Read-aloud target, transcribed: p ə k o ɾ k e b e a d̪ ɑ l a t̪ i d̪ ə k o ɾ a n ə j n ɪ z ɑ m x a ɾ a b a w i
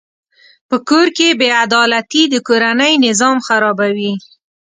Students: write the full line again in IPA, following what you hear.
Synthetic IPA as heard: p ə k o ɾ k e b e a d̪ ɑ l a t̪ i d̪ ə k o ɾ a n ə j n ɪ z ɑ m x a ɾ ɑ b a w i